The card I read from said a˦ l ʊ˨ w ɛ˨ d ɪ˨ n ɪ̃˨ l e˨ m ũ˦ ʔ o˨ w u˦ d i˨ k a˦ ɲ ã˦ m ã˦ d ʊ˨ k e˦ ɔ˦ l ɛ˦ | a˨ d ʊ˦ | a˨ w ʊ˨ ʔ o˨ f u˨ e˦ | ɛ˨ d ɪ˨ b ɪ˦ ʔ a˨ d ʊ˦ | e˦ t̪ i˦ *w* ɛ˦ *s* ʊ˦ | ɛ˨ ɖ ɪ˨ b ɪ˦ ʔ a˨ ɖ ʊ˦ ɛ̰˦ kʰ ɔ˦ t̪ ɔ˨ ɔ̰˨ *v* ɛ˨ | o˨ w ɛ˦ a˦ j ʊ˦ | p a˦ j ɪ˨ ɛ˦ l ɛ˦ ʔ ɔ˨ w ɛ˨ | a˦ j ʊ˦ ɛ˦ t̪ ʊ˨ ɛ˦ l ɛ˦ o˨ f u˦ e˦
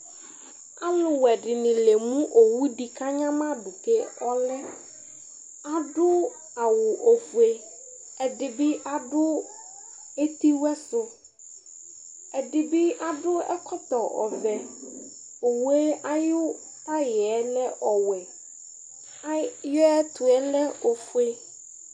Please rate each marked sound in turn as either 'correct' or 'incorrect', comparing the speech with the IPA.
correct, correct, correct

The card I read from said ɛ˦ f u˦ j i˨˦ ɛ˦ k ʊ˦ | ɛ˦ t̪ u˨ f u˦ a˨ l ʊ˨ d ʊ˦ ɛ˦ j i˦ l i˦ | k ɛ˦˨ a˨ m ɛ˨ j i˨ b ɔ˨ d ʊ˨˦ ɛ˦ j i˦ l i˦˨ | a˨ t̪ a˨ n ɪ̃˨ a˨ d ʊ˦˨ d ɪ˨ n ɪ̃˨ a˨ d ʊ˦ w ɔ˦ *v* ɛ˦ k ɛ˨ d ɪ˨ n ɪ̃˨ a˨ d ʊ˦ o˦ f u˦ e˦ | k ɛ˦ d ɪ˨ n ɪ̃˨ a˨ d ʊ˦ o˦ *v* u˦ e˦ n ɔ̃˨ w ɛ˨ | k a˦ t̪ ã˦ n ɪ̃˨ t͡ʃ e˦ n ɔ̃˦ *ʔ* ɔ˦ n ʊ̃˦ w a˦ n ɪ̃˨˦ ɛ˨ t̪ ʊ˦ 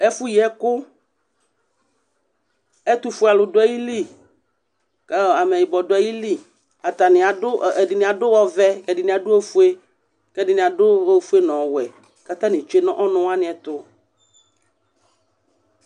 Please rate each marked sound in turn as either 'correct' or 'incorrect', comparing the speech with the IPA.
correct, incorrect: f, correct

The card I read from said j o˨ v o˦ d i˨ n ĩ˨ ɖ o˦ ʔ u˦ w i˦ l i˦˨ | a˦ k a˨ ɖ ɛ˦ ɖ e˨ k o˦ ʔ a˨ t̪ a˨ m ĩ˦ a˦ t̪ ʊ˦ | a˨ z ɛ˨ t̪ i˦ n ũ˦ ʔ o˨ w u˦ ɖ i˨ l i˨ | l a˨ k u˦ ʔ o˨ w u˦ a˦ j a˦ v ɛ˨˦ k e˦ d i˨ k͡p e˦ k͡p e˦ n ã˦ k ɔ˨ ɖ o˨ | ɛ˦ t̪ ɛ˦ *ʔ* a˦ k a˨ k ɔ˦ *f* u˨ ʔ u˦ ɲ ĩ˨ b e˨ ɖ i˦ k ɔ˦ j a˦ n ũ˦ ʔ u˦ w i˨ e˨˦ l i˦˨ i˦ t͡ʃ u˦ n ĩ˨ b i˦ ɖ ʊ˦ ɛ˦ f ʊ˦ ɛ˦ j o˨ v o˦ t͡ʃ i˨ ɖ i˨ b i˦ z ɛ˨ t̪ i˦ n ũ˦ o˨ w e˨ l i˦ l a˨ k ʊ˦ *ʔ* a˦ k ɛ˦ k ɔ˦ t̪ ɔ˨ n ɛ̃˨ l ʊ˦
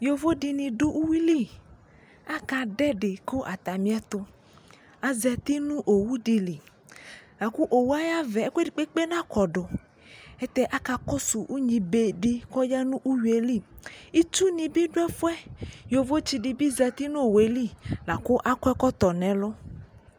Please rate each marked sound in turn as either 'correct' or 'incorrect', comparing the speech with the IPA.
correct, incorrect: s, correct

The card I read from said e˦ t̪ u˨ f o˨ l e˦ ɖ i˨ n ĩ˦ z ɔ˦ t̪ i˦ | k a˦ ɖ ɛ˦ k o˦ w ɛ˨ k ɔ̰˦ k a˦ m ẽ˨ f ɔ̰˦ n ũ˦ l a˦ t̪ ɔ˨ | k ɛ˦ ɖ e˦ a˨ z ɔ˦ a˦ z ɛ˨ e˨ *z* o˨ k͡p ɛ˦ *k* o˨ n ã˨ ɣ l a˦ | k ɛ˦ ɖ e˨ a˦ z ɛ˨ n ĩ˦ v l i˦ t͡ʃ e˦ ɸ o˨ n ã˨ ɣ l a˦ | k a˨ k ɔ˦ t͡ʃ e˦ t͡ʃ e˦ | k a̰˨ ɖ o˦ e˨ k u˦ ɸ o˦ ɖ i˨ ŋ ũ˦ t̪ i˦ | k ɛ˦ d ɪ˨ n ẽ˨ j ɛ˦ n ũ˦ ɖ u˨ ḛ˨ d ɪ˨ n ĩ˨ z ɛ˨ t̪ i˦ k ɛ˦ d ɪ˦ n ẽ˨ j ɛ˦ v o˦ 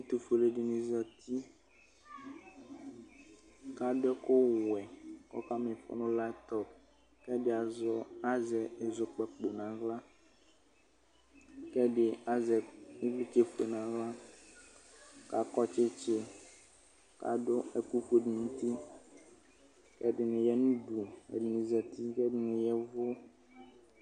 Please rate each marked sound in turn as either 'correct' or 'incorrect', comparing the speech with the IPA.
correct, incorrect: k͡p

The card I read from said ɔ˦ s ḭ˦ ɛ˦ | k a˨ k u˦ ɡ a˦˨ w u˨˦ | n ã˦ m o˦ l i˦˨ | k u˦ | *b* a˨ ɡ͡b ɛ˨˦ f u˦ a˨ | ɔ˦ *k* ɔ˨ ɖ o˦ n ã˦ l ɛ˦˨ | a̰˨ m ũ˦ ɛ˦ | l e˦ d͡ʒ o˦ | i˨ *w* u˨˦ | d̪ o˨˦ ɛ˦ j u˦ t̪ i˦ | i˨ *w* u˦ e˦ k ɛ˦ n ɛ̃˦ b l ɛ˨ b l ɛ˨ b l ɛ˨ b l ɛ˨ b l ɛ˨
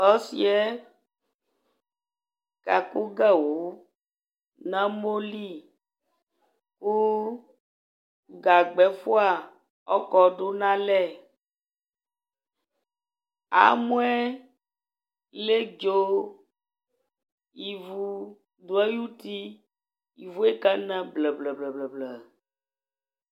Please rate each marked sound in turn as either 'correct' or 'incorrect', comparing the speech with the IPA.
incorrect: ɡ, correct, incorrect: v, incorrect: v

